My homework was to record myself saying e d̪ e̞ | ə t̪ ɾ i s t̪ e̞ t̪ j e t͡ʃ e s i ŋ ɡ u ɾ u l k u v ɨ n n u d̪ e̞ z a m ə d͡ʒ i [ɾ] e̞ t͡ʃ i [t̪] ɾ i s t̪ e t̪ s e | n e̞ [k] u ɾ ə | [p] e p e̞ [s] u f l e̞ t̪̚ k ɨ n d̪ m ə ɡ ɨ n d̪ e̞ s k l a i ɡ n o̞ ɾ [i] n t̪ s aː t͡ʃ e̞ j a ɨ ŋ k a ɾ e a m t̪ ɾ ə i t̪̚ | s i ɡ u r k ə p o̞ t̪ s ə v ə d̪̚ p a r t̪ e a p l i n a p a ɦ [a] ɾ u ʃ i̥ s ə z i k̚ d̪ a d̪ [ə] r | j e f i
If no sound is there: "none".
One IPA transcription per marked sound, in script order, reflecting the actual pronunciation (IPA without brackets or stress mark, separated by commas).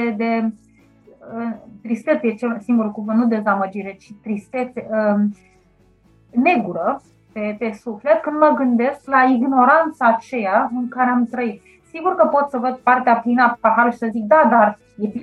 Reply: ɾ, t̪, ɡ, p, s, a, a, a